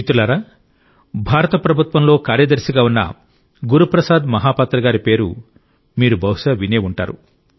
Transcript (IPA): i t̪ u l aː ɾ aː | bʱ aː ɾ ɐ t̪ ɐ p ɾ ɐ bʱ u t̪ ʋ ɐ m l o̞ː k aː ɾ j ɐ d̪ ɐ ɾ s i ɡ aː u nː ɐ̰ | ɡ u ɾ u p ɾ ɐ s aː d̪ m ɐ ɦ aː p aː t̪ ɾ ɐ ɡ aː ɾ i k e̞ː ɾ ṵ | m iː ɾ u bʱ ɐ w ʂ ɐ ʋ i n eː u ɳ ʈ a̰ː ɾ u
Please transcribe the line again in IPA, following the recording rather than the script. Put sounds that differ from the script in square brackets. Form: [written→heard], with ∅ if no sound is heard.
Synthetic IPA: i t̪ u l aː ɾ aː | bʱ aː ɾ ɐ t̪ ɐ p ɾ ɐ bʱ u t̪ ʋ ɐ m l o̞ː k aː ɾ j ɐ d̪ ɐ ɾ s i ɡ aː u nː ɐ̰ | ɡ u ɾ u p ɾ ɐ s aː d̪ m ɐ ɦ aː p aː t̪ ɾ ɐ ɡ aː ɾ i [k→p] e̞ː ɾ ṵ | m iː ɾ u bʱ ɐ w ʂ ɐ ʋ i n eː u ɳ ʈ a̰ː ɾ u

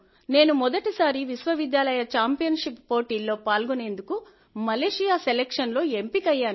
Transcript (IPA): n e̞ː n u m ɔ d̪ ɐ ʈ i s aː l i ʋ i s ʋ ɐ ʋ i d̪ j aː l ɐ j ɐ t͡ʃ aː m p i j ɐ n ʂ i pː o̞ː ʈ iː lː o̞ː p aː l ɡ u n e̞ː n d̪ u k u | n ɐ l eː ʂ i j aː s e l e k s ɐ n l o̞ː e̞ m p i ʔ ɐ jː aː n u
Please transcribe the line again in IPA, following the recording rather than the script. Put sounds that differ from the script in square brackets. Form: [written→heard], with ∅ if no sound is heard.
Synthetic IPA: n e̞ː n u m ɔ d̪ ɐ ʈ i s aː [l→ɾ] i ʋ i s ʋ ɐ ʋ i d̪ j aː l ɐ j ɐ t͡ʃ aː m p i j ɐ n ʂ i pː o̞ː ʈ iː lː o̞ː p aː l ɡ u n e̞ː n d̪ u k u | [n→m] ɐ l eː ʂ i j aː s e l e k [s→ʂ] ɐ n l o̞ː e̞ m p i [ʔ→k] ɐ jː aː n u

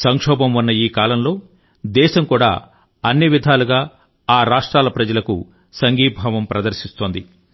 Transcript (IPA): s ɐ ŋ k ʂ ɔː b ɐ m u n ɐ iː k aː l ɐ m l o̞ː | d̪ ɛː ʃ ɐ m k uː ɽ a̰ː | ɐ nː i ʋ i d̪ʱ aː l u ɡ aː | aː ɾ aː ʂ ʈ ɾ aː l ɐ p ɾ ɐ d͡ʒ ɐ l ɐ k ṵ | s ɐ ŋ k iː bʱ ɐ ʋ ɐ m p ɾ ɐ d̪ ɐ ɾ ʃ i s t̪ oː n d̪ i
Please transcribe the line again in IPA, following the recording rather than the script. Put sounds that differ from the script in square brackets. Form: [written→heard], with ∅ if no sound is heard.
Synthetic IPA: s ɐ ŋ k ʂ ɔː b ɐ m u [n→nː] ɐ iː k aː l ɐ m l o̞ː | d̪ ɛː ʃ ɐ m k uː ɽ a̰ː | ɐ nː i ʋ i d̪ʱ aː l u ɡ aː | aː ɾ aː ʂ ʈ ɾ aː l ɐ p ɾ ɐ d͡ʒ ɐ l ɐ k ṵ | s ɐ ŋ [k→ɡ] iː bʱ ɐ ʋ ɐ m p ɾ ɐ d̪ ɐ ɾ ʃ i s t̪ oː n d̪ i

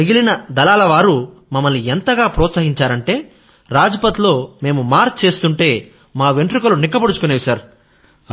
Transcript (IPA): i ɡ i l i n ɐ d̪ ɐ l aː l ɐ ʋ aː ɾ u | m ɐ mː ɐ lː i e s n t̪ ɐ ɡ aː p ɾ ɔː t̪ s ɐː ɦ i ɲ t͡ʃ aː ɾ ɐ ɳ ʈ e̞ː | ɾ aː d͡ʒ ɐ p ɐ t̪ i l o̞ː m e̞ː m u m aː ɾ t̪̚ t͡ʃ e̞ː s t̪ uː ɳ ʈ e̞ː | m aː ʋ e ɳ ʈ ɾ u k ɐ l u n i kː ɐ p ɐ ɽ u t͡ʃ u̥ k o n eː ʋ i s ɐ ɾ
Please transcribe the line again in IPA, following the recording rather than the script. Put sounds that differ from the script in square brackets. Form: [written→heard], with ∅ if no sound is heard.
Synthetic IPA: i ɡ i l i n ɐ d̪ ɐ l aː l ɐ ʋ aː ɾ u | m ɐ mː ɐ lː i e [s→∅] n t̪ ɐ ɡ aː p ɾ ɔː t̪ s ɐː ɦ i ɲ t͡ʃ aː ɾ ɐ ɳ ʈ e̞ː | ɾ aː d͡ʒ ɐ p ɐ t̪ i l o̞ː m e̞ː m u m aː ɾ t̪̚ t͡ʃ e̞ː s t̪ [uː→u] ɳ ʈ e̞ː | m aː ʋ e ɳ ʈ ɾ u k ɐ l u n i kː ɐ p ɐ ɽ u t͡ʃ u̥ k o n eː ʋ i s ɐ ɾ

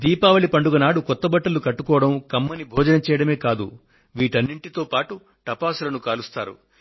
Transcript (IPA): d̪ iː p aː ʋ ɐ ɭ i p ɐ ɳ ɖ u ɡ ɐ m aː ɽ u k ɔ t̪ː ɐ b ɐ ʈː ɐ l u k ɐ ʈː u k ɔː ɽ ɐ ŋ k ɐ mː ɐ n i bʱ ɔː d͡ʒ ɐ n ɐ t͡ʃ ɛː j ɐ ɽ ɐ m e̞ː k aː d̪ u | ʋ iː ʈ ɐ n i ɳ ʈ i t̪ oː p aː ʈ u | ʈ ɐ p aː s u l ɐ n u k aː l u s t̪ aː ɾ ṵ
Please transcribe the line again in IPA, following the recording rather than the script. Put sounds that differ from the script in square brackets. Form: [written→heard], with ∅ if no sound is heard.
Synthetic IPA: d̪ iː p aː ʋ ɐ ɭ i p ɐ ɳ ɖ u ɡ ɐ [m→n] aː ɽ u k ɔ t̪ː ɐ b ɐ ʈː ɐ l u k ɐ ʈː u k ɔː ɽ ɐ [ŋ→m] k ɐ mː ɐ n i bʱ ɔː d͡ʒ ɐ n ɐ t͡ʃ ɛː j ɐ ɽ ɐ m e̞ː k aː d̪ u | ʋ iː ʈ ɐ [n→nː] i ɳ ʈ i t̪ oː p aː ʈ u | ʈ ɐ p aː s u l ɐ n u k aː l u s t̪ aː ɾ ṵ

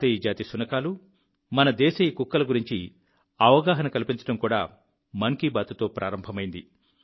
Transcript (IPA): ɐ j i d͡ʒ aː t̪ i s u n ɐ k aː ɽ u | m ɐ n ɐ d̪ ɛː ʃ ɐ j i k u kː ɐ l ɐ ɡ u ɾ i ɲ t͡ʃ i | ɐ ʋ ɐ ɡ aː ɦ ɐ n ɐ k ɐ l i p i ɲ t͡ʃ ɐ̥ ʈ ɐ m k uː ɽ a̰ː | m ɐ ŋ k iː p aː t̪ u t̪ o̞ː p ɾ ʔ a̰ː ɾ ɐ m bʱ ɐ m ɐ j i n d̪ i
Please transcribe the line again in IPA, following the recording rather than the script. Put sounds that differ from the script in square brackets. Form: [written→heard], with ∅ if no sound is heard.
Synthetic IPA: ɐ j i d͡ʒ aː t̪ i s u n ɐ k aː [ɽ→l] u | m ɐ n ɐ d̪ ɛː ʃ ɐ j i k u kː ɐ l ɐ ɡ u ɾ i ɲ t͡ʃ i | ɐ ʋ ɐ ɡ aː ɦ ɐ n ɐ k ɐ l i p i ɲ t͡ʃ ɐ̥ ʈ ɐ m k uː ɽ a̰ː | m ɐ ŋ k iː [p→b] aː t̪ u t̪ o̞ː p ɾ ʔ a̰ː ɾ ɐ m bʱ ɐ m ɐ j i n d̪ i

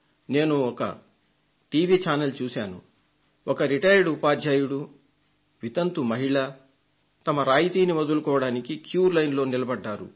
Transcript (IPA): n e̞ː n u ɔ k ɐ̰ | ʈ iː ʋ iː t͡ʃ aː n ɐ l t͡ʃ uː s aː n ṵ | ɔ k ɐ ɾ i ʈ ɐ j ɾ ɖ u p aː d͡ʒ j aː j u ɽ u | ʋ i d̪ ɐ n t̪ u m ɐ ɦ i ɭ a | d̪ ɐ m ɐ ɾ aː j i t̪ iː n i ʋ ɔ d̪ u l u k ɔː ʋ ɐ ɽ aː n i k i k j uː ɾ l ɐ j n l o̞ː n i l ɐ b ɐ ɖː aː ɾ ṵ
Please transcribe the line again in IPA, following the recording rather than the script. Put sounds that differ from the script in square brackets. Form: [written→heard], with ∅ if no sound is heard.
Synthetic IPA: n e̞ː n u ɔ k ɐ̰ | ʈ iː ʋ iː t͡ʃ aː n ɐ l t͡ʃ uː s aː n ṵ | ɔ k ɐ ɾ i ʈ ɐ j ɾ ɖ u p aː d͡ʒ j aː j u ɽ u | ʋ i [d̪→t̪] ɐ n t̪ u m ɐ ɦ i ɭ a | [d̪→t̪] ɐ m ɐ ɾ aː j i t̪ iː n i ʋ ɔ d̪ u l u k ɔː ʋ ɐ ɽ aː n i k i k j uː ɾ l ɐ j n l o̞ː n i l ɐ b ɐ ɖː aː ɾ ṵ

